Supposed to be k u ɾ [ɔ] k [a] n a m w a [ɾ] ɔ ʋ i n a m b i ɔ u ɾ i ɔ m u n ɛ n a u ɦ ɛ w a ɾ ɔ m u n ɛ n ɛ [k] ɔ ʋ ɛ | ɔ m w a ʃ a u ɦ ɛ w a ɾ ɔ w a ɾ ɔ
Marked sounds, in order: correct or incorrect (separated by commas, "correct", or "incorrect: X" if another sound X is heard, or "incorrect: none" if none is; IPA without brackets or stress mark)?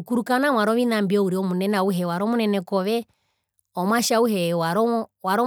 incorrect: u, correct, correct, correct